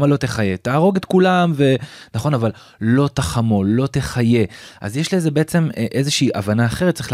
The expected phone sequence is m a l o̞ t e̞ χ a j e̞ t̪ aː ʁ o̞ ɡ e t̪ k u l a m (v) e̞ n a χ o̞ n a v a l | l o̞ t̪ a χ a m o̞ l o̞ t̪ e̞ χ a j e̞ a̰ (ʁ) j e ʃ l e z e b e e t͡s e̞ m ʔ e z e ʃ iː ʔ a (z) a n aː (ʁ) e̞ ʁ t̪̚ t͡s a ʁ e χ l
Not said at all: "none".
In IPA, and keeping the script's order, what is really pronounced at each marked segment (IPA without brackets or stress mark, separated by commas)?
v, z, v, χ